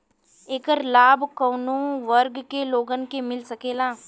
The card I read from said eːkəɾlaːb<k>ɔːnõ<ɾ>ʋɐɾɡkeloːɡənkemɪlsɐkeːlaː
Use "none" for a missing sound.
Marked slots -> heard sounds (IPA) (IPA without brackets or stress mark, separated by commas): k, none